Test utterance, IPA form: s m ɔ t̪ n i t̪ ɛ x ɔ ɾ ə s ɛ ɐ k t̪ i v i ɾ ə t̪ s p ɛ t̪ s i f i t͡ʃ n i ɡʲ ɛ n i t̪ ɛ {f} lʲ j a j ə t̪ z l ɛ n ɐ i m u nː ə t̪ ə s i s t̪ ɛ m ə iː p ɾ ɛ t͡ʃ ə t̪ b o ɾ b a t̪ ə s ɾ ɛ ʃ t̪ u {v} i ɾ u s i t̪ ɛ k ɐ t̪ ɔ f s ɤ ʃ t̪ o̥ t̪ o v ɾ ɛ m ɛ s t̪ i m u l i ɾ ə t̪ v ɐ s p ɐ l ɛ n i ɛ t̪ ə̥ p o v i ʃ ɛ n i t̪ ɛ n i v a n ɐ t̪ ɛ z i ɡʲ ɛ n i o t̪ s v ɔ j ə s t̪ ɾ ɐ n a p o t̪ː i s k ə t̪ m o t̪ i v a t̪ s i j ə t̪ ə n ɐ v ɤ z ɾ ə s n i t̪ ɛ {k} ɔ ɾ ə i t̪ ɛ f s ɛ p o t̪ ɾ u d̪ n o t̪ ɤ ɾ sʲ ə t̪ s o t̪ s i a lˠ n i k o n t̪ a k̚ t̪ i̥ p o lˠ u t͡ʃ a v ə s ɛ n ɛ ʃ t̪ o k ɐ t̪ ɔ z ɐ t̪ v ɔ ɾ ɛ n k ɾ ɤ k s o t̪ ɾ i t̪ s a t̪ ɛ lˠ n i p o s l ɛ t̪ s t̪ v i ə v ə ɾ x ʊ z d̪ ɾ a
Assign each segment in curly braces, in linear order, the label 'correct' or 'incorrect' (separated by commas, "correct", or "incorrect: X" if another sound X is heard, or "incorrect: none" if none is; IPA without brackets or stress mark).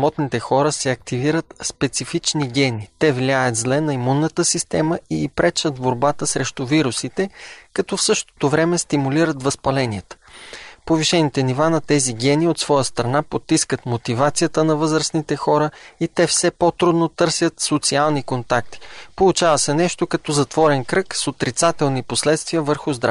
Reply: incorrect: v, correct, incorrect: x